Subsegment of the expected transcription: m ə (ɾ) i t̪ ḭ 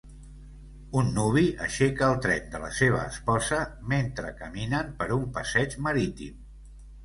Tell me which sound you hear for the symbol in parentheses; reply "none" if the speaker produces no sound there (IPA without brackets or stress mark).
ɾ